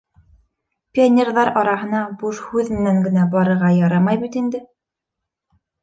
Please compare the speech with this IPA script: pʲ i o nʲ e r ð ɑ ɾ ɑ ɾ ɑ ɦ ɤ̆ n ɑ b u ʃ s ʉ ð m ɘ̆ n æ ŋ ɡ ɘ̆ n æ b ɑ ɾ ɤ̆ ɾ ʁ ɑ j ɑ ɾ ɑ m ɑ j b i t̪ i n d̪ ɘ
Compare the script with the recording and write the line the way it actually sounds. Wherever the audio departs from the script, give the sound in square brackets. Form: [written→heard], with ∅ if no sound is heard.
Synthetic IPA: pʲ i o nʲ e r ð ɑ ɾ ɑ ɾ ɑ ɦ ɤ̆ n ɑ b u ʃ [s→h] ʉ ð m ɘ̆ n æ ŋ ɡ ɘ̆ n æ b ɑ ɾ ɤ̆ ɾ ʁ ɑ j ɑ ɾ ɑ m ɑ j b i t̪ i n d̪ ɘ